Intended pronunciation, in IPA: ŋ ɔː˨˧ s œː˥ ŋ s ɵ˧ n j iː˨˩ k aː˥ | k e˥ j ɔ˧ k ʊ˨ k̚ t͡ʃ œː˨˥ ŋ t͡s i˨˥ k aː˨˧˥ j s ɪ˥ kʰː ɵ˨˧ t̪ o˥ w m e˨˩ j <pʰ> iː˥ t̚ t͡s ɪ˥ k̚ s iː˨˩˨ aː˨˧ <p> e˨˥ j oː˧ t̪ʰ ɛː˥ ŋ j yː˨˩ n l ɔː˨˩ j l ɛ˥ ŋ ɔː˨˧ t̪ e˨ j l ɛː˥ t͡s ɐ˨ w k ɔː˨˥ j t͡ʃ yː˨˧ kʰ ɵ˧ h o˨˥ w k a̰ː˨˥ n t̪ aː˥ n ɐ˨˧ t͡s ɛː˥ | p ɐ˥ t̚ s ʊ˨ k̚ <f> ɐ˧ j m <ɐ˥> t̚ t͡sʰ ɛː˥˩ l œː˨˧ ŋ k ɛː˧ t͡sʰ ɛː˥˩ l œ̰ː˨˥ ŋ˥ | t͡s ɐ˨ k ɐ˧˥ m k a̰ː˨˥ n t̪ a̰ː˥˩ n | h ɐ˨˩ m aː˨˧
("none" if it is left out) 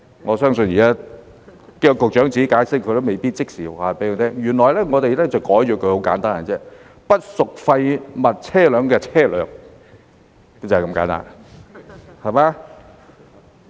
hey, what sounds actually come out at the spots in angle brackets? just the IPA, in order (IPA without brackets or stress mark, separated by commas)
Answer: p, p, f, ɐ˨